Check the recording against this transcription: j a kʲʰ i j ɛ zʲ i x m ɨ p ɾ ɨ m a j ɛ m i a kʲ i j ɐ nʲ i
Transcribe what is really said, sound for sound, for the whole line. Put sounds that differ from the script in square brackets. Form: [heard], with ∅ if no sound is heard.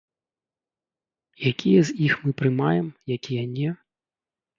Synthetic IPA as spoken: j a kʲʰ i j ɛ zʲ i x m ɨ p ɾ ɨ m a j ɛ m [j] a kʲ i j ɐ nʲ [ɛ]